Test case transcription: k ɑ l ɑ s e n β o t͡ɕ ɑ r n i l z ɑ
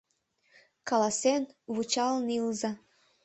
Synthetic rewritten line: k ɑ l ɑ s e n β u t͡ɕ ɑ l n i l z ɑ